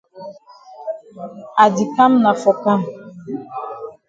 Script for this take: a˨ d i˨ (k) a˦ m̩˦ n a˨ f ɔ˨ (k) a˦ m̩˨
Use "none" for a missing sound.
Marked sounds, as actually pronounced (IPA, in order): k, k

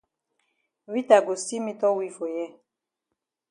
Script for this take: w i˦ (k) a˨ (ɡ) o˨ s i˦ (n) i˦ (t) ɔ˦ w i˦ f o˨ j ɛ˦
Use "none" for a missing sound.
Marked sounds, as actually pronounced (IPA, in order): t, ɡ, m, t

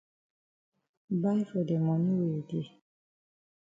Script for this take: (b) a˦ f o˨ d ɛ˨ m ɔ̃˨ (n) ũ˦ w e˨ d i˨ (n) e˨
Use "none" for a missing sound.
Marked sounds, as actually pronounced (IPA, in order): b, n, none

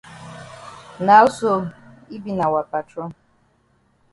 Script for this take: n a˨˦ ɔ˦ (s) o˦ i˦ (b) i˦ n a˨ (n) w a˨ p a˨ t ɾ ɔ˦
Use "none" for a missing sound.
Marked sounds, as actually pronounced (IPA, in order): s, b, none

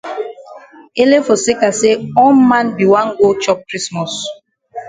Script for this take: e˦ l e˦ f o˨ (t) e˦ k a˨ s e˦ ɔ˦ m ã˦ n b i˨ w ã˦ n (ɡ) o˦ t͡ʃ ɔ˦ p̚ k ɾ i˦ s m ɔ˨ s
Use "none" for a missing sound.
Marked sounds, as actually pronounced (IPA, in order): s, ɡ

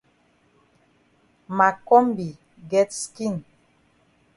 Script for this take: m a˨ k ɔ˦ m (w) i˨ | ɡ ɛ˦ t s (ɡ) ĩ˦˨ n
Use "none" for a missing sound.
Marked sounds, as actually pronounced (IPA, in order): b, k

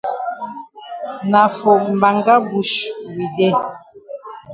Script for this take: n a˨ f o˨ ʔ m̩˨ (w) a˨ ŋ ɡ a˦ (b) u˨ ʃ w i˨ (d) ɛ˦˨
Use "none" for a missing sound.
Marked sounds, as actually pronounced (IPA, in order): b, b, d

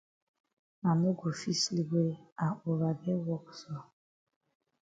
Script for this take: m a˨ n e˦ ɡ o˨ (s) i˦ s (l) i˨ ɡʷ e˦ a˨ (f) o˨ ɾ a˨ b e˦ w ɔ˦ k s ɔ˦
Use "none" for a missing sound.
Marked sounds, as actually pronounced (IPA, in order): f, l, none

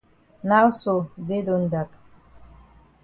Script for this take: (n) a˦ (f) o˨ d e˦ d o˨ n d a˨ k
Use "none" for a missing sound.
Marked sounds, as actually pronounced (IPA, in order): n, s

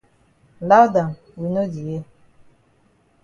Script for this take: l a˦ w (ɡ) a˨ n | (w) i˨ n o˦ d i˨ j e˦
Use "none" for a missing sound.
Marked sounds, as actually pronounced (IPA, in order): d, w

